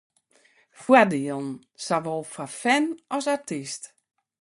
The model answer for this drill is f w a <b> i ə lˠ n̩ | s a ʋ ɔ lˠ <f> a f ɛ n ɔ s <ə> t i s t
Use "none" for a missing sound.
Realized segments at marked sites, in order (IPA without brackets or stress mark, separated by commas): d, f, a